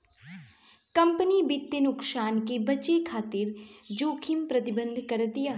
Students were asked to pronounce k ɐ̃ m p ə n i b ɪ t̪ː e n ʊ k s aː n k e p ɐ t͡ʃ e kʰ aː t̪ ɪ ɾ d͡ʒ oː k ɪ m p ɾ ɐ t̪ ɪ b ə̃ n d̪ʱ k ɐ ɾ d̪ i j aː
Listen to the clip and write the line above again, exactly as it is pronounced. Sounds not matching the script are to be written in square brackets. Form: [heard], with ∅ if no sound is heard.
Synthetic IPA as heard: k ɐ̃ m p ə n i b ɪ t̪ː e n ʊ k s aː n k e [b] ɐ t͡ʃ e kʰ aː t̪ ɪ ɾ d͡ʒ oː [kʰ] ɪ m p ɾ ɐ t̪ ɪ b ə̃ n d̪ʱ k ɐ ɾ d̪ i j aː